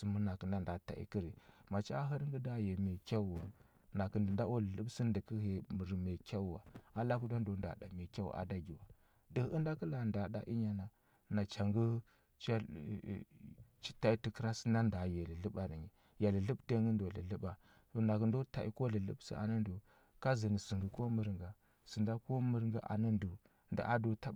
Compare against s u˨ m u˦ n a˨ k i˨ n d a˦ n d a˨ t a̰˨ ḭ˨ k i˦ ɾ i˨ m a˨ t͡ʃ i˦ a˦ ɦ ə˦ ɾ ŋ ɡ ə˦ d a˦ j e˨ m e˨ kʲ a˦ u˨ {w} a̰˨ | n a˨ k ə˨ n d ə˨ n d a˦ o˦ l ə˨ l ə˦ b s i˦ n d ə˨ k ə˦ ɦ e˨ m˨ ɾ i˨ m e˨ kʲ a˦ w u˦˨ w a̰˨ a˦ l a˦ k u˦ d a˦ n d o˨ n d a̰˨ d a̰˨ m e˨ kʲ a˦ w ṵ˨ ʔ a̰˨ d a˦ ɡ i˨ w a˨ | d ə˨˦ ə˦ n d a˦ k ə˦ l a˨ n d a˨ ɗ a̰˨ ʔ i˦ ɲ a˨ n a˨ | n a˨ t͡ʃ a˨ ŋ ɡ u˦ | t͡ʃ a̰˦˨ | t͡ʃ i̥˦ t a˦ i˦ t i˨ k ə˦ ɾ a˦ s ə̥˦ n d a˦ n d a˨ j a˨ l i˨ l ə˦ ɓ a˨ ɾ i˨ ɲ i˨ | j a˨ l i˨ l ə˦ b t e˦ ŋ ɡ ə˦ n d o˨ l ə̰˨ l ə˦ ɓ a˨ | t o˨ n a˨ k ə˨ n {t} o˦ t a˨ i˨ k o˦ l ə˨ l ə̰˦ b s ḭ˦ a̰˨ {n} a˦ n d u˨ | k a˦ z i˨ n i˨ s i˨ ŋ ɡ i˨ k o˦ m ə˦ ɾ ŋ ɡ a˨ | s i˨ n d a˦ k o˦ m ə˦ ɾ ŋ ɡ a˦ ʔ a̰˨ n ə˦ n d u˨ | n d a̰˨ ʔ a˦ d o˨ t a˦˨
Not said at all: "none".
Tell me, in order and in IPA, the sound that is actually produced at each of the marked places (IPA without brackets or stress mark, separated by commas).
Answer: w, d, n